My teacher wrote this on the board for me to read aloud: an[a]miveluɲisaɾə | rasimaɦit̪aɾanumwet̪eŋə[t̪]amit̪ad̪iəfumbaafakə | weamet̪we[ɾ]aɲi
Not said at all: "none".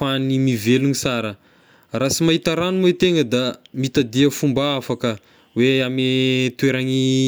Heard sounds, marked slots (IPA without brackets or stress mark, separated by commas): i, d̪, ɾ